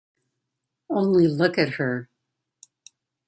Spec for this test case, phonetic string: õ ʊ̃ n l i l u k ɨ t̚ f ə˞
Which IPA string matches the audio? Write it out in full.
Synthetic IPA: õ ʊ̃ n l i l ʊ k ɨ t̚ h ə˞